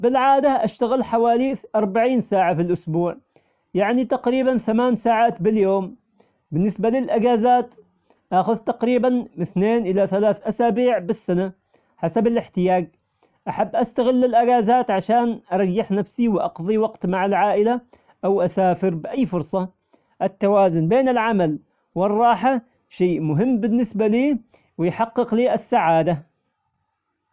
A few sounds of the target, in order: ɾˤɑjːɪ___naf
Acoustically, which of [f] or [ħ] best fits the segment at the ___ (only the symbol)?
ħ